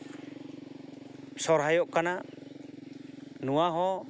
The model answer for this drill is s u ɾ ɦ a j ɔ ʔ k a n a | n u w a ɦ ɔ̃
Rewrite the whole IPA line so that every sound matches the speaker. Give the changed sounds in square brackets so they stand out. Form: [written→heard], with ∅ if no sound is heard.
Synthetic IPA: s [u→ɔ] ɾ ɦ a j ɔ ʔ k a n a | n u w a ɦ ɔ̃